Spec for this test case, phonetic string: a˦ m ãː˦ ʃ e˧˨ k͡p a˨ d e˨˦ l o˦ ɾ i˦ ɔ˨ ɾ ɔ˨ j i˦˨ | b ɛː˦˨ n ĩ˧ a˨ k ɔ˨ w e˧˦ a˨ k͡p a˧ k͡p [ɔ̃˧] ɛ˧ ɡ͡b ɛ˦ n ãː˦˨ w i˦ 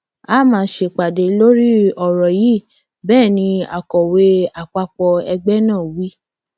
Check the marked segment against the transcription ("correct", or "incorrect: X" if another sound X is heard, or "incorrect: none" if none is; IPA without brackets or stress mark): incorrect: ɔ˧